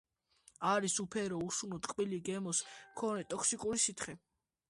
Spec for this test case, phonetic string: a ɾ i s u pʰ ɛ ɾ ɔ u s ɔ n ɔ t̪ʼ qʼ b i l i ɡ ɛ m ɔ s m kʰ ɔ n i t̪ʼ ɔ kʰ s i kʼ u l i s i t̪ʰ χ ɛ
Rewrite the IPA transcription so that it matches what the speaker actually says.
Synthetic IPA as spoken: a ɾ i s u pʰ ɛ ɾ ɔ u s u n ɔ t̪ʼ qʼ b i l i ɡ ɛ m ɔ s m kʰ ɔ n ɛ t̪ʼ ɔ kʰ s i kʼ u ɾ i s i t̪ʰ χ ɛ